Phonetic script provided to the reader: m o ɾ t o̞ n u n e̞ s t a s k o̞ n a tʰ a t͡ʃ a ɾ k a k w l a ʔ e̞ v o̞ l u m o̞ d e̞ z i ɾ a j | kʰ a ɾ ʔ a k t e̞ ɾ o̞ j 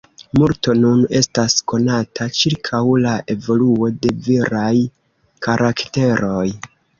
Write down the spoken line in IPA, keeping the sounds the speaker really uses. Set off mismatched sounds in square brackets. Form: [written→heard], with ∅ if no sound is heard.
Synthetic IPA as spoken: m [o→u] ɾ t o̞ n u n e̞ s t a s k o̞ n a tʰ a t͡ʃ [a→i] ɾ [k→kʰ] a [k→∅] w l a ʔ e̞ v o̞ l u [m→∅] o̞ d e̞ [z→v] i ɾ a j | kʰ a ɾ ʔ a k t e̞ ɾ o̞ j

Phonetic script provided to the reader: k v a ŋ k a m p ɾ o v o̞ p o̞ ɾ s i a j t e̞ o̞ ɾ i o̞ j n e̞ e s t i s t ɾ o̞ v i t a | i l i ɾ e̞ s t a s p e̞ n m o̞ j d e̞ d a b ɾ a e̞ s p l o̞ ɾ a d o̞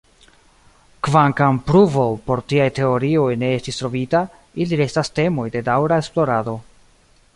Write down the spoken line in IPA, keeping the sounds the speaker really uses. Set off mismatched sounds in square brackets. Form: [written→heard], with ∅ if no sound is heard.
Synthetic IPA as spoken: k v a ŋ k a m p ɾ [o→u] v o̞ p o̞ ɾ [s→t] i a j t e̞ o̞ ɾ i o̞ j n e̞ e s t i s t ɾ o̞ v i t a | i l i ɾ e̞ s t a s [p→t] e̞ [n→∅] m o̞ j d e̞ d a [b→w] ɾ a e̞ s p l o̞ ɾ a d o̞

